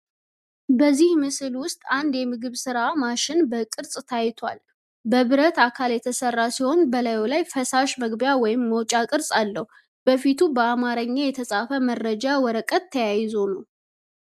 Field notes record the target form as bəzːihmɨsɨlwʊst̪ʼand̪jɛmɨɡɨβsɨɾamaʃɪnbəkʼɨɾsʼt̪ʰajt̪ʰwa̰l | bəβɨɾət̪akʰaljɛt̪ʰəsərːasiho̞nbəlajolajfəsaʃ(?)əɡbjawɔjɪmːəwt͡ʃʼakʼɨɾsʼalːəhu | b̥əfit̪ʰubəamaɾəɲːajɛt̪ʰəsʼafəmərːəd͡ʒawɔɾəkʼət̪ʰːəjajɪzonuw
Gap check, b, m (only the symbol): m